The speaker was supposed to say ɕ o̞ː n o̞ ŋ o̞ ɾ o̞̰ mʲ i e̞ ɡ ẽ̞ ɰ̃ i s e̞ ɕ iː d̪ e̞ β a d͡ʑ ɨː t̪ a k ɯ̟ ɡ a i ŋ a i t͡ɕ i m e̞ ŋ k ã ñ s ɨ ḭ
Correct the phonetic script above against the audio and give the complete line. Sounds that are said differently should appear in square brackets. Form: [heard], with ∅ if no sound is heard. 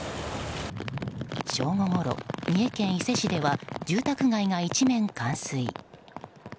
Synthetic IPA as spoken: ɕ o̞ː [ŋ] o̞ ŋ o̞ ɾ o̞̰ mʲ i e̞ [k] ẽ̞ ɰ̃ i s e̞ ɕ [i] d̪ e̞ β a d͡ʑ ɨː t̪ a k ɯ̟ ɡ a i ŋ a i t͡ɕ i m [ẽ̞] ŋ k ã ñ s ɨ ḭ